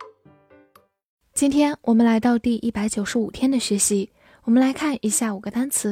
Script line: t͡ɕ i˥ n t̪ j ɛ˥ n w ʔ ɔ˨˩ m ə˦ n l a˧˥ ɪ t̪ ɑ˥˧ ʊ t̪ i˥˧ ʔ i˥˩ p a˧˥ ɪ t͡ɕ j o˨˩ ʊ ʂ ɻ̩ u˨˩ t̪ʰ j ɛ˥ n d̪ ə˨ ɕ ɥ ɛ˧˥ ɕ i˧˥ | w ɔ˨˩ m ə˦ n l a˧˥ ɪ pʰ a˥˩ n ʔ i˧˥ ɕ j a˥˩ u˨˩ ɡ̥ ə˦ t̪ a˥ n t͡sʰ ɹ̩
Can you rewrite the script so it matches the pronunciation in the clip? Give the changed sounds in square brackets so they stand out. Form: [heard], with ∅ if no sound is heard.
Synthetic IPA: t͡ɕ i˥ n [t̪ʰ] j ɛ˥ n w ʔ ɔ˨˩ m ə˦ n l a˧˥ ɪ t̪ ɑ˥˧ ʊ t̪ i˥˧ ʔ i˥˩ p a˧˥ ɪ t͡ɕ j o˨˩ ʊ ʂ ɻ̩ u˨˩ t̪ʰ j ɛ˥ n d̪ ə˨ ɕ ɥ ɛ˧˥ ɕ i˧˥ | w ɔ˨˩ m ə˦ n l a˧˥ ɪ [kʰ] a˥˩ n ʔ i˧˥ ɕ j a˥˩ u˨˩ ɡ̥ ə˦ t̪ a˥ n t͡sʰ ɹ̩